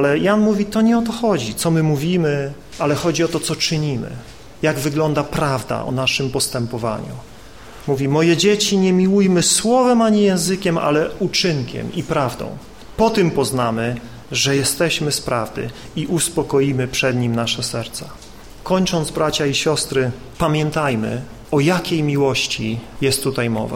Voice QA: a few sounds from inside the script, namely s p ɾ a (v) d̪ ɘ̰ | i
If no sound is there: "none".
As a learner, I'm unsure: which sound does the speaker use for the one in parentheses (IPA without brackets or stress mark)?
v